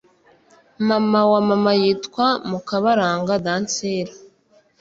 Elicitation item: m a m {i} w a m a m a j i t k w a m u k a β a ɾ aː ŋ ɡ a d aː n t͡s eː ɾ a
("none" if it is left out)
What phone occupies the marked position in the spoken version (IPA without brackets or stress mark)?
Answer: a